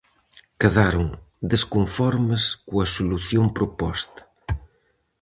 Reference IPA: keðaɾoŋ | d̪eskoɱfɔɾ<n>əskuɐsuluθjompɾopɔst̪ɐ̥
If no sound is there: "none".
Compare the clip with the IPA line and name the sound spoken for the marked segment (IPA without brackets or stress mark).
m